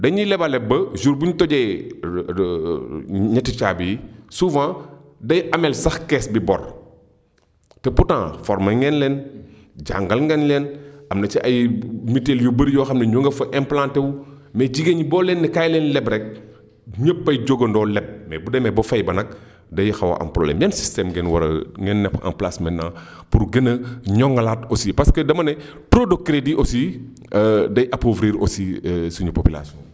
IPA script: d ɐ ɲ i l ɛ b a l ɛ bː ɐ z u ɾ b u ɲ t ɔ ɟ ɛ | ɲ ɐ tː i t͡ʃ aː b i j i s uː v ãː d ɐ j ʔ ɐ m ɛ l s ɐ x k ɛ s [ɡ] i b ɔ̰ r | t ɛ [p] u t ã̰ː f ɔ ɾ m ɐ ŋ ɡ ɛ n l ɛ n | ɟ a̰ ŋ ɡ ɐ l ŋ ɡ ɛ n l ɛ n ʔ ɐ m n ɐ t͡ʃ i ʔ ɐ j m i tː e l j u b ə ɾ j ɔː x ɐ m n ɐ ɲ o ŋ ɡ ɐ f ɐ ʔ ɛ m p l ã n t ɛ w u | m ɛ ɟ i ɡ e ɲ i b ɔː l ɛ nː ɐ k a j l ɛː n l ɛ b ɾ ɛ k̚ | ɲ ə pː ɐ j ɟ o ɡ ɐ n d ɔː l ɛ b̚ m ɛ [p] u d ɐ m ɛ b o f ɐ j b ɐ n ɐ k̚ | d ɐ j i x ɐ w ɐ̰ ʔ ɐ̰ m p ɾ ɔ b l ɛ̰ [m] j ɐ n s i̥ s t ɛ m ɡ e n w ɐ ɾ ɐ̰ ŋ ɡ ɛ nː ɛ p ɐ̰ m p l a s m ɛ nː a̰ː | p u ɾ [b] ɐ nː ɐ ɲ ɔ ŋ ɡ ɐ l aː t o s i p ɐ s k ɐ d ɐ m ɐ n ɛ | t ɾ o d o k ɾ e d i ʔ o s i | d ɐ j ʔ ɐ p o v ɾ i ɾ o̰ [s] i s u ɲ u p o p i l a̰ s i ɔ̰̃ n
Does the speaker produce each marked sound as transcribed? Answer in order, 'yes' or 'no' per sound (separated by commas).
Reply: no, yes, no, yes, no, yes